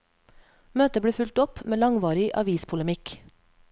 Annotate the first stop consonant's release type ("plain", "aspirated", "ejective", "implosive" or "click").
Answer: plain